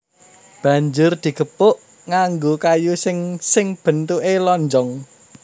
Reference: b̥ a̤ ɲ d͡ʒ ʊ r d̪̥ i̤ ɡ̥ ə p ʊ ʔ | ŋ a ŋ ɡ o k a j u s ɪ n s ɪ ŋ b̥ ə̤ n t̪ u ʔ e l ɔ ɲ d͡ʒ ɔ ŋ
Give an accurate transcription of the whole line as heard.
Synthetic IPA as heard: b̥ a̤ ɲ d͡ʒ ʊ r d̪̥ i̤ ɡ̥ ə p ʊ ʔ | ŋ a ŋ ɡ o k a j u s ɪ ŋ s ɪ ŋ b̥ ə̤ n t̪ u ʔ e l ɔ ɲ d͡ʒ ɔ ŋ